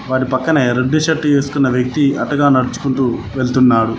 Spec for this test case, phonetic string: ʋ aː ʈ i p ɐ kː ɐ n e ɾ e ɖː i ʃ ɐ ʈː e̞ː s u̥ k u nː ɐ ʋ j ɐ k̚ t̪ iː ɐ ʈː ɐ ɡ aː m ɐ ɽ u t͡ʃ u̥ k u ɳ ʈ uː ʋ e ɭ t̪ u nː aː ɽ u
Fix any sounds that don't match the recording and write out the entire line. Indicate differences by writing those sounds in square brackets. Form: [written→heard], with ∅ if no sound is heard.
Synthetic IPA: ʋ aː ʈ i p ɐ kː ɐ n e ɾ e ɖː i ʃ ɐ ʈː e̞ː s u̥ k u nː ɐ ʋ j ɐ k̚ t̪ [iː→i] ɐ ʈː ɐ ɡ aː [m→n] ɐ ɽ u t͡ʃ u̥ k u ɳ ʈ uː ʋ e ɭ t̪ u nː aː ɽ u

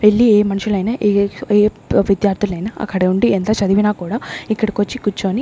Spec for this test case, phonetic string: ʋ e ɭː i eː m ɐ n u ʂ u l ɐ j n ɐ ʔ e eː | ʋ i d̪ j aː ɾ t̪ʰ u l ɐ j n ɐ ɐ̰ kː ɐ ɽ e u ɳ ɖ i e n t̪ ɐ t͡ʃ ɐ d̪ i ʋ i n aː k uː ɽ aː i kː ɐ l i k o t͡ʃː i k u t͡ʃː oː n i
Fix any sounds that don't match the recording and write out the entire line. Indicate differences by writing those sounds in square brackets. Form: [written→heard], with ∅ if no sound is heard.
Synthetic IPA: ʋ e ɭː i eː m ɐ n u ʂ u l ɐ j n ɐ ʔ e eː | ʋ i d̪ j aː ɾ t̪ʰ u l ɐ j n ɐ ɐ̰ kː ɐ ɽ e u ɳ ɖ i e n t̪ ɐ t͡ʃ ɐ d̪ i ʋ i n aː k uː ɽ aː i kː ɐ [l→ɽ] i k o t͡ʃː i k u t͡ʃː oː n i

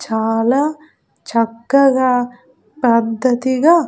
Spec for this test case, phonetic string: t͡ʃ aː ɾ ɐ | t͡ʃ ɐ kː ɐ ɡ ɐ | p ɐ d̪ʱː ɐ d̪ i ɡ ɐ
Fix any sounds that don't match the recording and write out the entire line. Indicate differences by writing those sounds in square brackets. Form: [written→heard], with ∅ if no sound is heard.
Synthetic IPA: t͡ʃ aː [ɾ→l] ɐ | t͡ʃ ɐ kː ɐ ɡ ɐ | p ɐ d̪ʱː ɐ [d̪→t̪] i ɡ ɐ

